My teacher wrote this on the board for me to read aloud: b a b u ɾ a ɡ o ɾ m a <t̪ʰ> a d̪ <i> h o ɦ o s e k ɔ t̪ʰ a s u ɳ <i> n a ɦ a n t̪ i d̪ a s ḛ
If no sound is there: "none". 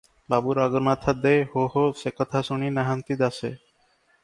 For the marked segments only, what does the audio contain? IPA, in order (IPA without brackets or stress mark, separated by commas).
t̪ʰ, e, i